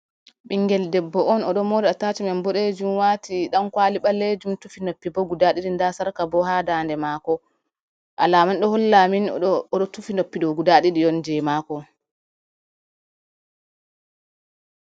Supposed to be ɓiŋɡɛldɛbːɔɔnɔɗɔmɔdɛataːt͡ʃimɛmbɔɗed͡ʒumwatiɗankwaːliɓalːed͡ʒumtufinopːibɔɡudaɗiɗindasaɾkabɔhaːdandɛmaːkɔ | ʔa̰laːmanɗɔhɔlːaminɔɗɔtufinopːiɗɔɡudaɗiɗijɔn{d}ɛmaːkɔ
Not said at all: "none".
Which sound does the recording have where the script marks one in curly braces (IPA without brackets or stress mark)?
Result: d͡ʒ